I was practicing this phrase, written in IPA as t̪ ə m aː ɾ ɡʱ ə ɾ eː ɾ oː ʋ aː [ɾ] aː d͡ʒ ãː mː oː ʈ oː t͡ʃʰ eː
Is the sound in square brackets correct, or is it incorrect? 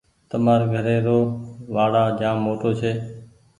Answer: incorrect